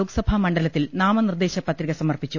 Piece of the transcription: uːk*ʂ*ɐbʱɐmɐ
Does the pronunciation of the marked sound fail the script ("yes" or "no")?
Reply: yes